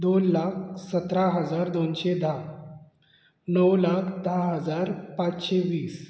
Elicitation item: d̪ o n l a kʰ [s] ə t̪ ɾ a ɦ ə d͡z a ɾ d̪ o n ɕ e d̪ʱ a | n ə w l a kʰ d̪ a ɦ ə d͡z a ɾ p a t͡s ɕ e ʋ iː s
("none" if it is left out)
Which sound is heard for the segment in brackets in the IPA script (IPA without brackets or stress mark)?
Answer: s